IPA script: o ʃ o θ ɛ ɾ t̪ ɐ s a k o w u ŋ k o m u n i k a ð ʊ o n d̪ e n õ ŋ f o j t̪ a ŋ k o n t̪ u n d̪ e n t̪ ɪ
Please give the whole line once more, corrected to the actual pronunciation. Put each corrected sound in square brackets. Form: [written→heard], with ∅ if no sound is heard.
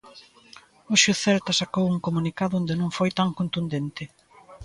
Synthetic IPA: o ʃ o θ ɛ ɾ t̪ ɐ s a k o w u ŋ k o m u n i k a ð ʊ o n d̪ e n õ ŋ f o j t̪ a ŋ k o n t̪ u n d̪ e n t̪ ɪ